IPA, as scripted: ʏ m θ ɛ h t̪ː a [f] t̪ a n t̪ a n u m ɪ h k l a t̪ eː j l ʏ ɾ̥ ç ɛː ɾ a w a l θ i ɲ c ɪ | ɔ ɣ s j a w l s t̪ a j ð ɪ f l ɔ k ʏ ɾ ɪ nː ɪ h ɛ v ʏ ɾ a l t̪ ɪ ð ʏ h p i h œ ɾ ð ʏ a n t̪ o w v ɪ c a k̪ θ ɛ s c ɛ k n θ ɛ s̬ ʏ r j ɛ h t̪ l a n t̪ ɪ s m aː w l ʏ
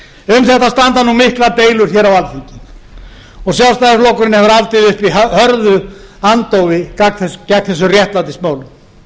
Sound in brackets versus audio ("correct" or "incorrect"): incorrect